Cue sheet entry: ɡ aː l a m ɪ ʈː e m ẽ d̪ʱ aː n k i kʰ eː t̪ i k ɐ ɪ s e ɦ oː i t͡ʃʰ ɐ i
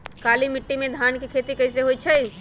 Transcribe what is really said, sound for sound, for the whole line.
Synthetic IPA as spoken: k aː l i m ɪ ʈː i m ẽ d̪ʱ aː n k i kʰ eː t̪ i k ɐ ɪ s e ɦ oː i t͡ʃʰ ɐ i